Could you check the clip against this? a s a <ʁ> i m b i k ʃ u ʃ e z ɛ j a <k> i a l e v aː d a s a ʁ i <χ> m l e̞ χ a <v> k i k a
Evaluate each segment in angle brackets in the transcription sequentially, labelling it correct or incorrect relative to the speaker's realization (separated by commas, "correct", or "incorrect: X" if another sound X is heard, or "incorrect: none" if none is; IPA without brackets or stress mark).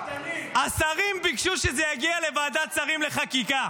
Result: correct, incorrect: ɡ, incorrect: none, incorrect: none